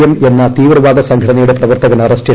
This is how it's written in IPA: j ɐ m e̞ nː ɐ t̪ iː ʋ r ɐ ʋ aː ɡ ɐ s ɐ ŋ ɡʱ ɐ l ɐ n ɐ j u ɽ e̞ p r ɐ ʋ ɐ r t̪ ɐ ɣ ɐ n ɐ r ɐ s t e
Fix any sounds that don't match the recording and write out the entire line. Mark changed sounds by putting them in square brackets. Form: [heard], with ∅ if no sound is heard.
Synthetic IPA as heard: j ɐ m e̞ nː ɐ t̪ iː ʋ r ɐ ʋ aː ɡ ɐ s ɐ ŋ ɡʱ ɐ [ɽ] ɐ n ɐ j u ɽ e̞ p r ɐ ʋ ɐ r t̪ ɐ ɣ ɐ n ɐ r ɐ s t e